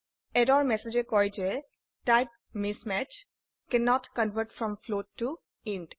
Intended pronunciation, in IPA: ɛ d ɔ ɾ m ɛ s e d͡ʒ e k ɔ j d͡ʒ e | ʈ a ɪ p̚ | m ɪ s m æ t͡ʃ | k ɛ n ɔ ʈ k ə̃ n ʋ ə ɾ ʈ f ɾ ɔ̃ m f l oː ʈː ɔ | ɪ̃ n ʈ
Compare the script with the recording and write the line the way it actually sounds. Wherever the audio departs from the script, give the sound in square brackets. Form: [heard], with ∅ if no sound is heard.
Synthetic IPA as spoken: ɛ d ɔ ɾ m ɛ s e d͡ʒ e k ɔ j d͡ʒ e | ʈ a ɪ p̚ | m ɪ s m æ t͡ʃ | k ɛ n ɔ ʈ k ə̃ n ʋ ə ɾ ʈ f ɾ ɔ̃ m f l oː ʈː [u] | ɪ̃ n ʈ

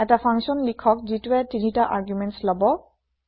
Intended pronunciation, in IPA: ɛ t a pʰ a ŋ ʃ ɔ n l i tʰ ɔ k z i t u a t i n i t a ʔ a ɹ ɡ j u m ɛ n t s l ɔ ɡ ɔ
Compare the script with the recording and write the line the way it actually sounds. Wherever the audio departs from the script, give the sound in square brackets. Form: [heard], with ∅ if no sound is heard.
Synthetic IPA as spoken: ɛ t a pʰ a ŋ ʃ ɔ n l i [kʰ] ɔ k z i t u [ɛ] t i n i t a ʔ a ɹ ɡ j u m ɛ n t s l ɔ [b] ɔ

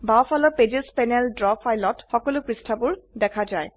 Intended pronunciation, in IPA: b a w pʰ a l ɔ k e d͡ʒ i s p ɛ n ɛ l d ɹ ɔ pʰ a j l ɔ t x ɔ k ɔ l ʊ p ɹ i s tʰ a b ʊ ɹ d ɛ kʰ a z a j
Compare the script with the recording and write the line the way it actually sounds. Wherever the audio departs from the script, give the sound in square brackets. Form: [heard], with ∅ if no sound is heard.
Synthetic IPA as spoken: b a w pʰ a l ɔ [p] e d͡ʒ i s p ɛ n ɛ l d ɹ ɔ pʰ a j l ɔ t x ɔ k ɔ l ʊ p ɹ i s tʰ a b ʊ ɹ d ɛ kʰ a z a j

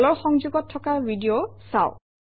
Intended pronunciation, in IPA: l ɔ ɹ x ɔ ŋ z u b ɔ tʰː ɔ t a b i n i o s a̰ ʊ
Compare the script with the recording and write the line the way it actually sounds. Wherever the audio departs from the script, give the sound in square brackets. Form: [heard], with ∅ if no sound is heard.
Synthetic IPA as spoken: l ɔ ɹ x ɔ ŋ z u [ɡ] ɔ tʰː ɔ [k] a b i [d] i o s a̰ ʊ

